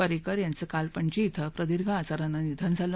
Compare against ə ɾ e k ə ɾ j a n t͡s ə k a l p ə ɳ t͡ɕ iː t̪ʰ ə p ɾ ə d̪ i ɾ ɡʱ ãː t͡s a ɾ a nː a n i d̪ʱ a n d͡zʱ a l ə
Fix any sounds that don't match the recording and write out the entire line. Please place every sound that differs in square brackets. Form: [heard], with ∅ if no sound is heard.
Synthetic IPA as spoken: ə ɾ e k ə ɾ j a n t͡s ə k a l p ə ɳ t͡ɕ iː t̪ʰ ə p ɾ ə d̪ i ɾ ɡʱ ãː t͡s a ɾ a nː a n i d̪ʱ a n d͡zʱ a l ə